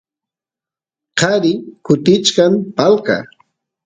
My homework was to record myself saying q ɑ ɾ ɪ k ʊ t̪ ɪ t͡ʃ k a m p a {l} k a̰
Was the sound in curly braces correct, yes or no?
yes